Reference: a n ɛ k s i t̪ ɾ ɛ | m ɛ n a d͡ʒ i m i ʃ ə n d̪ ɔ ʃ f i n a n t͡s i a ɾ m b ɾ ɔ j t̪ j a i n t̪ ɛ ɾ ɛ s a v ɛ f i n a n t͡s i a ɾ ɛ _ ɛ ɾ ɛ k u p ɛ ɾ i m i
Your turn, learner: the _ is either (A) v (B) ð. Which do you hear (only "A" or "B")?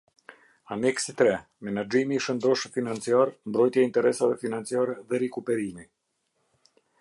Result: B